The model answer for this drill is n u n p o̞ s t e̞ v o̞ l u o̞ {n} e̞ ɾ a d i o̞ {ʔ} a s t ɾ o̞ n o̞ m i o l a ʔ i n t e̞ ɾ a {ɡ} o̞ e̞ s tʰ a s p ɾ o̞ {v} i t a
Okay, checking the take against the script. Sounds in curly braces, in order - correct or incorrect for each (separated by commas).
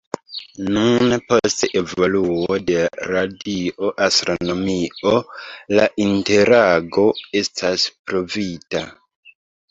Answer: incorrect, correct, correct, correct